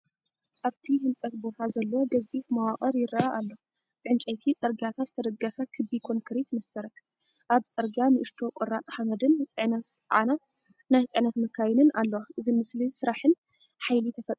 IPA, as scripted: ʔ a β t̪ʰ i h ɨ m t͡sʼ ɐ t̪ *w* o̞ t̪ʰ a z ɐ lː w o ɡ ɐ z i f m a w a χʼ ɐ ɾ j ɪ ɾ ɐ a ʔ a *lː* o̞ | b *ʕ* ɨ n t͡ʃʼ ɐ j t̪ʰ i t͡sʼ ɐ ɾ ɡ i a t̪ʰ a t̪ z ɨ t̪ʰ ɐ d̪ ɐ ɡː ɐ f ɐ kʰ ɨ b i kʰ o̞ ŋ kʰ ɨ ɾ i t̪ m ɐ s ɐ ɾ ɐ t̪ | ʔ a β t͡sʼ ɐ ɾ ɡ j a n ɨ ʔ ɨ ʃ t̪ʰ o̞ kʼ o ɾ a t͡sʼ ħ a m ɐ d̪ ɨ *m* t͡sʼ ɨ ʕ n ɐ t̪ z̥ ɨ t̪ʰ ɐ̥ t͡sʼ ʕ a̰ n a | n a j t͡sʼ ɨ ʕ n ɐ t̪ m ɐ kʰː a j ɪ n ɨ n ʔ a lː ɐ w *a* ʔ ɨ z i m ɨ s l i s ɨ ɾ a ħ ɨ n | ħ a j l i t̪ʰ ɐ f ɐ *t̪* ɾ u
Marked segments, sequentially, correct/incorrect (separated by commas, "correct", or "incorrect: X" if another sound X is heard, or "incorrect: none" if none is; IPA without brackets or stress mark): incorrect: b, correct, correct, incorrect: n, correct, incorrect: t̪ʼ